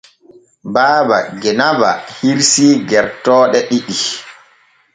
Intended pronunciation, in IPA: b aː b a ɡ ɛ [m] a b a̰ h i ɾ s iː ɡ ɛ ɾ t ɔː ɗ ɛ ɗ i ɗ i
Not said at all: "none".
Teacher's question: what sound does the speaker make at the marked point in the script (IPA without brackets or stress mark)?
n